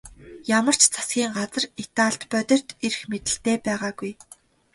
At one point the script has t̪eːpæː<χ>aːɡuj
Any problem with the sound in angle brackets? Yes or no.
yes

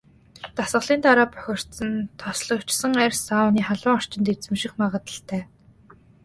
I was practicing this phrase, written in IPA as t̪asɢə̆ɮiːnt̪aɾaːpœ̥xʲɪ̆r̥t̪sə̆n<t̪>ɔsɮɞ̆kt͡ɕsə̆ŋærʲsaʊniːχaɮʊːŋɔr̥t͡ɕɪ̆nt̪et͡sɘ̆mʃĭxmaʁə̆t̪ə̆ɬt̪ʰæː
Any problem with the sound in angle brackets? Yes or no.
yes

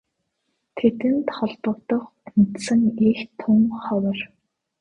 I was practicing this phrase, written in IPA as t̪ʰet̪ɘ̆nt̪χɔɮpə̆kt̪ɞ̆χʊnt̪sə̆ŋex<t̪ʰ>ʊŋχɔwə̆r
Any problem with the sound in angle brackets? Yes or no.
no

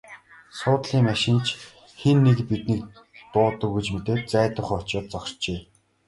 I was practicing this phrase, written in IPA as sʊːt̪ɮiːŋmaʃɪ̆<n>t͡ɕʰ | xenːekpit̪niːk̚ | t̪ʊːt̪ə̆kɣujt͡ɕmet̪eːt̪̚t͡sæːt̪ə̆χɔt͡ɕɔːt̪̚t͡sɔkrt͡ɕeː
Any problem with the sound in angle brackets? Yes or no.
no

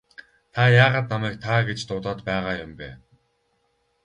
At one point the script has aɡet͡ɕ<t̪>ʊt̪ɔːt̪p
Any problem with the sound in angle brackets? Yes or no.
no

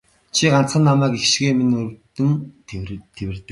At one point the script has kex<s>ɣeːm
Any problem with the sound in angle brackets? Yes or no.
yes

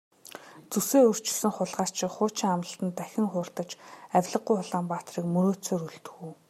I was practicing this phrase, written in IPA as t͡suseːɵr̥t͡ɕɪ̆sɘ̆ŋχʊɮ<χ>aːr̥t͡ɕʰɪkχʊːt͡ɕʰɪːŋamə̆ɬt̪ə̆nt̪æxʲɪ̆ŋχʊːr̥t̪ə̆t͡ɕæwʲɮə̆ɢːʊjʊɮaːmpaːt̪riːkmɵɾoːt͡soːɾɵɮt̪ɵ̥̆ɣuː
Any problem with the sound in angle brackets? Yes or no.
yes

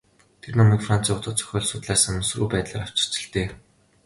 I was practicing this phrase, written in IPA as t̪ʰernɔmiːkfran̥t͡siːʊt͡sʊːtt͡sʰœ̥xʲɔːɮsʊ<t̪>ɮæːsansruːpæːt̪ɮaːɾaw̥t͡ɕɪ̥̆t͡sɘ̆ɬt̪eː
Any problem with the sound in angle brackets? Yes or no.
no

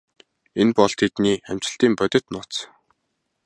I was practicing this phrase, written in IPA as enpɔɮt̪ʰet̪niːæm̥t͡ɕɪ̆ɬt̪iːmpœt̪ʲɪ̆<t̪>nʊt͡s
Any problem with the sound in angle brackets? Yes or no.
no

